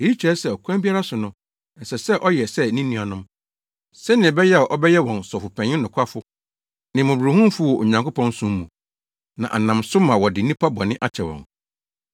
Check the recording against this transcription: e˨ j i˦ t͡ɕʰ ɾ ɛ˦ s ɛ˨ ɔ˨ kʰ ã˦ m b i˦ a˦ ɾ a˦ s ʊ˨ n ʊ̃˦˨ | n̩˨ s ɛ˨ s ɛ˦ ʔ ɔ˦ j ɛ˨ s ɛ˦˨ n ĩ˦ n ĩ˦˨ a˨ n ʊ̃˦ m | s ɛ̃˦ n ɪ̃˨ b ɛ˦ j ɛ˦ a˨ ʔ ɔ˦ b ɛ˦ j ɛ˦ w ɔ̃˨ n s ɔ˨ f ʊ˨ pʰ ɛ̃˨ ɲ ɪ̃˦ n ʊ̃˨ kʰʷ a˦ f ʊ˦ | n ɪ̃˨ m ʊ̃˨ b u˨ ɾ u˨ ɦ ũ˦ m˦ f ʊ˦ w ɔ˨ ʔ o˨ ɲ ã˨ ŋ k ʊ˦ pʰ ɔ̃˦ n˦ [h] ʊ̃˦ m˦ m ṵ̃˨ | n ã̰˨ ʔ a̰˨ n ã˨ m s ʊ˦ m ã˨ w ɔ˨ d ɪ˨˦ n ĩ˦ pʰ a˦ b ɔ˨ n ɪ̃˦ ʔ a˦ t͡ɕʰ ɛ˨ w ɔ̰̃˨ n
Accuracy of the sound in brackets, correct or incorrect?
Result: incorrect